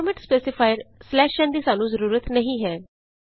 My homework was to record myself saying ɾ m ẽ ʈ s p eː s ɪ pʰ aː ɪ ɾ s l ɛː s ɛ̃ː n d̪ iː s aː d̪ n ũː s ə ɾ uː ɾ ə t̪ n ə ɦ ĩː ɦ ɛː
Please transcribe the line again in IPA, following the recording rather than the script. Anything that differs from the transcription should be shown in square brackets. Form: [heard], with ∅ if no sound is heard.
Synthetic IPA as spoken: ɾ m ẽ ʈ s p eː s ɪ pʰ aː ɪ ɾ s l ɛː [ʃ] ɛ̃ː n d̪ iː s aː [∅] n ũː [z] ə ɾ uː ɾ ə t̪ n ə ɦ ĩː ɦ ɛː